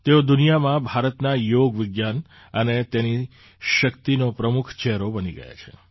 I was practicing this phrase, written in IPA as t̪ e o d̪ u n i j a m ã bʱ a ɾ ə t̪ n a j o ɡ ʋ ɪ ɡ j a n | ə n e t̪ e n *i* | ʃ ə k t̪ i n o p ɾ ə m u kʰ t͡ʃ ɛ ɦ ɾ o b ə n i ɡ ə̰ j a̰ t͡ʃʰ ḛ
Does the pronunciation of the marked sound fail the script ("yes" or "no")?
no